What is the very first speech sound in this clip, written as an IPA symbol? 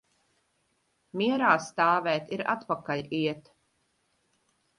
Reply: m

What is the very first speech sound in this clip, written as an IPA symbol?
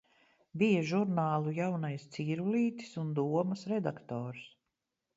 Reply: b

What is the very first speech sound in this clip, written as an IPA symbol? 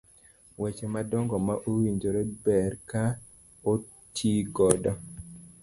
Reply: w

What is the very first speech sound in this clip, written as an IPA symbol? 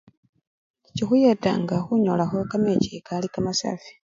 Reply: c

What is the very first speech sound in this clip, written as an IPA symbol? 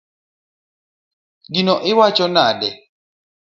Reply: ɡ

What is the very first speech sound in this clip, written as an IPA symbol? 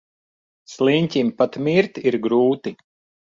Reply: s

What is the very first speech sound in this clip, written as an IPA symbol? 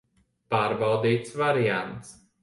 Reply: p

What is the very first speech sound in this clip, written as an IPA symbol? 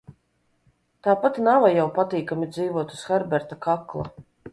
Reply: t̪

